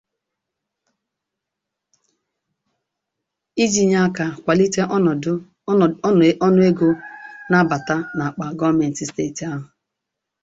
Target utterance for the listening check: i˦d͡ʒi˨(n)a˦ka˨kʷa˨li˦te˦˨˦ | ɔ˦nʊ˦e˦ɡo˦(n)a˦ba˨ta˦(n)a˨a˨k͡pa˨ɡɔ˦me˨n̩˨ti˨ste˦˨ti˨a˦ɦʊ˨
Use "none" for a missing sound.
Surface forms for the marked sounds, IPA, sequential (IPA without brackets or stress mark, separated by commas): ɲ, n, n